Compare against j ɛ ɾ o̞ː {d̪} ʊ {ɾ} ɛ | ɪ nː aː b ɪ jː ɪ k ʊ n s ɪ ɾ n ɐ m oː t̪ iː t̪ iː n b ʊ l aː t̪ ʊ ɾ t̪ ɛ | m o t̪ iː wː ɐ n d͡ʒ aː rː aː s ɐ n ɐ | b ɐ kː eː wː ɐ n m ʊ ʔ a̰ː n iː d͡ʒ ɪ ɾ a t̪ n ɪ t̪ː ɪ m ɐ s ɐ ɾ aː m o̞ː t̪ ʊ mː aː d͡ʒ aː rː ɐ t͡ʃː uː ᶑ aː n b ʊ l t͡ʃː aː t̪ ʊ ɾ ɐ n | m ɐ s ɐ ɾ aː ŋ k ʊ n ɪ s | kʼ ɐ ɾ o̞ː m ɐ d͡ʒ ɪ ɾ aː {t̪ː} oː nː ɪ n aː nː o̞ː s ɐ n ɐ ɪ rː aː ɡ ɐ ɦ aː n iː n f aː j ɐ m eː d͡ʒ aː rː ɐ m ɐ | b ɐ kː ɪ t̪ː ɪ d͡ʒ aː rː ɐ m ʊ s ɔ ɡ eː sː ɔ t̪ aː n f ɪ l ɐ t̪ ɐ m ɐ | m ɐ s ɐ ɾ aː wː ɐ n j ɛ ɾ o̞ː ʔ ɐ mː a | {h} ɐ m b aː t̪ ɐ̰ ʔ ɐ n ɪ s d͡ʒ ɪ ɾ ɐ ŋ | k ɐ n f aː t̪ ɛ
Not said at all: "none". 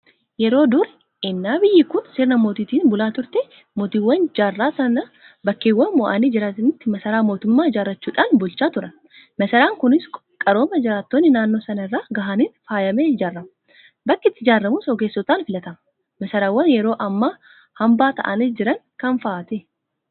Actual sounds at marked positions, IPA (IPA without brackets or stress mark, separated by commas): d̪, ɾ, t̪ː, h